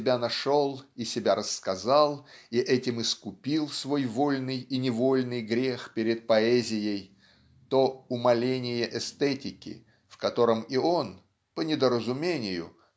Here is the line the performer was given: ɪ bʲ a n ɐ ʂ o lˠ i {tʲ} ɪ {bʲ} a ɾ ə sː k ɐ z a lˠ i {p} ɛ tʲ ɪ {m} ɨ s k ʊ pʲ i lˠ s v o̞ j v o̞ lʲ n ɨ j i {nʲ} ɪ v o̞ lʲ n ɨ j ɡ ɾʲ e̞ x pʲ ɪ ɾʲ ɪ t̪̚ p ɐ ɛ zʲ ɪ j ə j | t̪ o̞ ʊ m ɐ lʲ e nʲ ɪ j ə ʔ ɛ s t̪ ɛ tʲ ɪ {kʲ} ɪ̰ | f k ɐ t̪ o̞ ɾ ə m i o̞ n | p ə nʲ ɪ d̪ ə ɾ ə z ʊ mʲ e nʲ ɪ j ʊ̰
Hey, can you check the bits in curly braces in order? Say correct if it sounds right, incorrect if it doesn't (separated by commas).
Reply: incorrect, correct, incorrect, correct, correct, correct